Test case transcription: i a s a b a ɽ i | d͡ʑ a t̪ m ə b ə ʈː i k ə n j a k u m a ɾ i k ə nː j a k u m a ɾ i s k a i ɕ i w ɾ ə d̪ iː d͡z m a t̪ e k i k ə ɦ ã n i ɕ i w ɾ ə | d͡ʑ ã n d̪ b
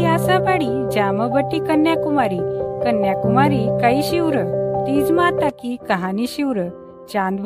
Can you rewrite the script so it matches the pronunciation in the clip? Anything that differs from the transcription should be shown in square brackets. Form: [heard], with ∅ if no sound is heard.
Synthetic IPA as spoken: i a s a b a ɽ i | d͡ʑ a [∅] m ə b ə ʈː i k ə n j a k u m a ɾ i k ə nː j a k u m a ɾ i [∅] k a i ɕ i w ɾ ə [t̪] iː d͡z m a t̪ [a] k i k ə ɦ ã n i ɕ i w ɾ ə | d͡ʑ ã n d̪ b